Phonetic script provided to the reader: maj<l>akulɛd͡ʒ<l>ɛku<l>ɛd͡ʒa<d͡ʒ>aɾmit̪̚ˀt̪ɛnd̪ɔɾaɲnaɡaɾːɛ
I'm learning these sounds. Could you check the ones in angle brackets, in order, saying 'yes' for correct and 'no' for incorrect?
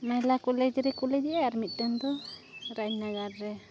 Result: yes, no, yes, no

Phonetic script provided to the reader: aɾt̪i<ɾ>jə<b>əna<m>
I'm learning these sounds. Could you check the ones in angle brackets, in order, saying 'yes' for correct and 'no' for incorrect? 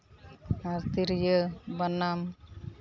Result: yes, yes, yes

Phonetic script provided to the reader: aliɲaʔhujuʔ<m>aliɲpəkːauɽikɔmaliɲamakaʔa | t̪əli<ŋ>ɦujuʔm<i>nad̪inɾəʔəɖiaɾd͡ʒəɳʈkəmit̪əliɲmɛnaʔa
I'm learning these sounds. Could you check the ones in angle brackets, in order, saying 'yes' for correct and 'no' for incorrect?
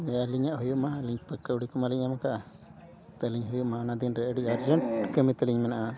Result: yes, no, no

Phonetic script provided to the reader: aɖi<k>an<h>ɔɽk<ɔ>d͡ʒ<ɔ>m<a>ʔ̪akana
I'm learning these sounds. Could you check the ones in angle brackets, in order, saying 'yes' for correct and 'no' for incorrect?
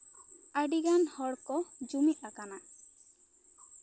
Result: no, yes, yes, no, no

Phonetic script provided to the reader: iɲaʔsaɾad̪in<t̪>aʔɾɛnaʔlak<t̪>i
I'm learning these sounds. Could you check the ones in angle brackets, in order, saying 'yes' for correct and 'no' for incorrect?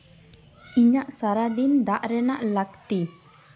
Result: no, yes

